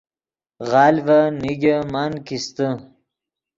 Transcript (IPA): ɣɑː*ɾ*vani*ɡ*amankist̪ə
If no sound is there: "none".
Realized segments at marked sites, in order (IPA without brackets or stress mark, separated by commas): l, ɡ